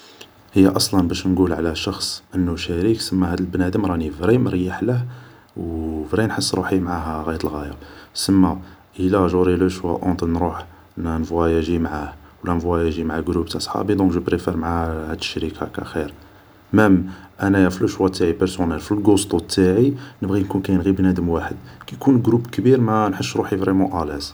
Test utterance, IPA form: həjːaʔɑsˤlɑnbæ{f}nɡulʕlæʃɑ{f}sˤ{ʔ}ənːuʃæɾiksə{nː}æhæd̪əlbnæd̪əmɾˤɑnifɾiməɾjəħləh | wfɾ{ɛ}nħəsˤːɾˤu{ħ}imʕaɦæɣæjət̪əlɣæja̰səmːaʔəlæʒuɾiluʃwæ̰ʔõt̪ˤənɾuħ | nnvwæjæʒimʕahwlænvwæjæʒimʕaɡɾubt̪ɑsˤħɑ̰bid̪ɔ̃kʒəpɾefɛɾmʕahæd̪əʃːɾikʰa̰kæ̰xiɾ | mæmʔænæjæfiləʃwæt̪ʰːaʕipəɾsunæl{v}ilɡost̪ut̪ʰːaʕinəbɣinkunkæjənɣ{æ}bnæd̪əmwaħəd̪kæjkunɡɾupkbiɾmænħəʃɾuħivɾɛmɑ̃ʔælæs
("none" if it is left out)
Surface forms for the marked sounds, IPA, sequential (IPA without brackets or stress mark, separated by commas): ʃ, x, ʔ, mː, i, ħ, f, i